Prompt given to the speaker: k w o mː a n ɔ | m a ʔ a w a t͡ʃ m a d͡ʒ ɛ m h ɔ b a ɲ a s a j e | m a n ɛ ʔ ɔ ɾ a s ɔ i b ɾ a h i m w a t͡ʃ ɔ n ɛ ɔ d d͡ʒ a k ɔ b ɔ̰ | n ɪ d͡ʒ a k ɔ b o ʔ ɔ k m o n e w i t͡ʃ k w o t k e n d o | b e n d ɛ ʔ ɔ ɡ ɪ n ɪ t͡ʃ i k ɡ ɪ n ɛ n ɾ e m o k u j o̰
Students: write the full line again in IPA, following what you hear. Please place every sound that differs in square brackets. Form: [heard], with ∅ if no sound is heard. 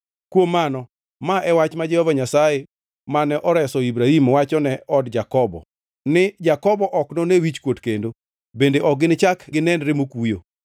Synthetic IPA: k w o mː a n ɔ | m a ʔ [ɛ] w a t͡ʃ m a d͡ʒ ɛ [∅] h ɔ [v] a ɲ a s a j e | m a n ɛ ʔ ɔ ɾ [ɛ] s ɔ i b ɾ a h i m w a t͡ʃ ɔ n ɛ ɔ d d͡ʒ a k ɔ b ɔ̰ | n ɪ d͡ʒ a k ɔ b [ɔ] ʔ ɔ k [n] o n e w i t͡ʃ k w o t k e n d o | b e n d [e] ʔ ɔ ɡ ɪ n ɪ t͡ʃ [a] k ɡ ɪ n ɛ n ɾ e m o k u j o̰